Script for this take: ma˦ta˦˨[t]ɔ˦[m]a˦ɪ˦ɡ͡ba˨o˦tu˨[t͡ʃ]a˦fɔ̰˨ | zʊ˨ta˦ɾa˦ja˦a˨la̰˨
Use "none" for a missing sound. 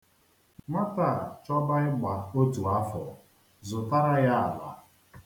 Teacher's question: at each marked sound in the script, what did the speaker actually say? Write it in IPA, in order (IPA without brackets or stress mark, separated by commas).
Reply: t͡ʃ, b, none